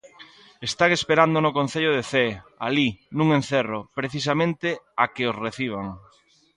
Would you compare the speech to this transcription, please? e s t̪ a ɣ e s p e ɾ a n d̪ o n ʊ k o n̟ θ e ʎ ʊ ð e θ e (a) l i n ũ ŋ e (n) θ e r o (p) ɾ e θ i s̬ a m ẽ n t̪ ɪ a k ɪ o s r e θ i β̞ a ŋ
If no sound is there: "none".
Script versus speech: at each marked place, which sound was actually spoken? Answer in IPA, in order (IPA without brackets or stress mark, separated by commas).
a, n, p